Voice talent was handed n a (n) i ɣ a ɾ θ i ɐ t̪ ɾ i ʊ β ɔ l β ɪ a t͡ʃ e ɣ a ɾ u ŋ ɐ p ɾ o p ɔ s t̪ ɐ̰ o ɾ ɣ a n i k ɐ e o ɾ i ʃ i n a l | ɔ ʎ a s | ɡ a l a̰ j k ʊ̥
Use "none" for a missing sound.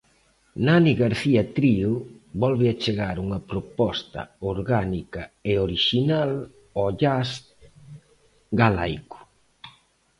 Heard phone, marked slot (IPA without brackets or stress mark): n